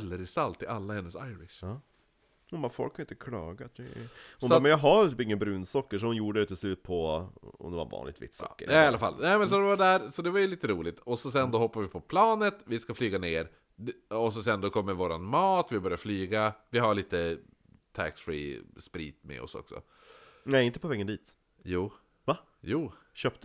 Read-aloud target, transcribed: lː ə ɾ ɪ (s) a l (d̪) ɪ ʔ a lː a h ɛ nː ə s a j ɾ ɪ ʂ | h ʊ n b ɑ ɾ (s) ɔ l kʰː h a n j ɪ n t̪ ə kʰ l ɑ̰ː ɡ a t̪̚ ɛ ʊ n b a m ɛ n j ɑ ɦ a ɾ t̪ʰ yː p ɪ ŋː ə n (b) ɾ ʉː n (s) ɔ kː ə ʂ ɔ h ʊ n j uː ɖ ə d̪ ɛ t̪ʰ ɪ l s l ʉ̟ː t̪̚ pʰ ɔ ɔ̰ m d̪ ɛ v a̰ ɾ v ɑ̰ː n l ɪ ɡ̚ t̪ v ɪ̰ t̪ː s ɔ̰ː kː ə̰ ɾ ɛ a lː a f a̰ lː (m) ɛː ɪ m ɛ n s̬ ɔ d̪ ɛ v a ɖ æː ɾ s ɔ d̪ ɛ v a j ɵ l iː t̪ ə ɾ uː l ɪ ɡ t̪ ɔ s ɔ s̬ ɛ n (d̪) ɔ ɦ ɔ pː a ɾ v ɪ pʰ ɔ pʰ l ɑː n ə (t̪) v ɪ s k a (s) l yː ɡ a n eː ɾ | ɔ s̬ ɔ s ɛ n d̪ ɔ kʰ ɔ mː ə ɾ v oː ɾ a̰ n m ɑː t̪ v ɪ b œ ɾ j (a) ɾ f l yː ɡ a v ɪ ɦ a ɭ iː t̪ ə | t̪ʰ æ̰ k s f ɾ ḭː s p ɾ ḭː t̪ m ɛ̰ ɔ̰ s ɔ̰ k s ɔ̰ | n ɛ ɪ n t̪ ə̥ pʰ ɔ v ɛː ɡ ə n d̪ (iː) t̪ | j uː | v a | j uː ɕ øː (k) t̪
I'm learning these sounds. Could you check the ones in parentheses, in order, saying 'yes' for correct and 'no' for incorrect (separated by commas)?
yes, no, no, yes, yes, no, yes, yes, no, yes, yes, no